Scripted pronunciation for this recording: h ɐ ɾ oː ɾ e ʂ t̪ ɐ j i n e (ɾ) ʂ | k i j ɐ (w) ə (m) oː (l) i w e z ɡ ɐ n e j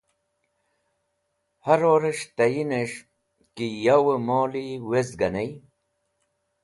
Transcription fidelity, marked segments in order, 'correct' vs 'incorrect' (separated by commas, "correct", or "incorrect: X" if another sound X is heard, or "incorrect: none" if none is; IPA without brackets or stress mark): incorrect: none, correct, correct, correct